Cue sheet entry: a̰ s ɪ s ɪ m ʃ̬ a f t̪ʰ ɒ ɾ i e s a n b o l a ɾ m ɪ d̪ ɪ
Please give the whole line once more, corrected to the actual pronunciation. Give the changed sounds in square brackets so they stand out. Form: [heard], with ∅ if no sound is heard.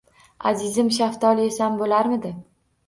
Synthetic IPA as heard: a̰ [z] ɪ [z] ɪ m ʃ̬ a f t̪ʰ ɒ [l] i e s a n b o l a ɾ m ɪ d̪ ɪ